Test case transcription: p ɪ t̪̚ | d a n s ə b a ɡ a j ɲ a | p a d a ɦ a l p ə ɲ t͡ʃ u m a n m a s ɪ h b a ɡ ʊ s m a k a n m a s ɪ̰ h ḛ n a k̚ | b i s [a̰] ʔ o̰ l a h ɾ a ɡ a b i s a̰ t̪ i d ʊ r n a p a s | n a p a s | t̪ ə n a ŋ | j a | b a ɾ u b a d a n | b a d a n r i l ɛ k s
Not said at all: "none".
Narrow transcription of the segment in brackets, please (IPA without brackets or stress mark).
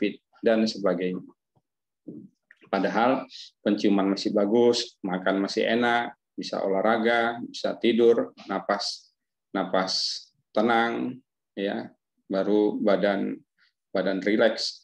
a̰